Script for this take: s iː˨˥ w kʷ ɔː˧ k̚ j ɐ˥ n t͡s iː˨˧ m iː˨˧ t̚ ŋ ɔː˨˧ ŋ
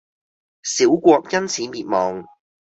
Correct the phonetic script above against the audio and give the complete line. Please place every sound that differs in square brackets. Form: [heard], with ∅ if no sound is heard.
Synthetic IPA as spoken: s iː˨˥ w kʷ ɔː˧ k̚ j ɐ˥ n [t͡sʰ] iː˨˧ m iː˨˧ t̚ [m] ɔː˨˧ ŋ